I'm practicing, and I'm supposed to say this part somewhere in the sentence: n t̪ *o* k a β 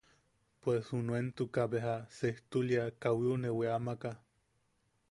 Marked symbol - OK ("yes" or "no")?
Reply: no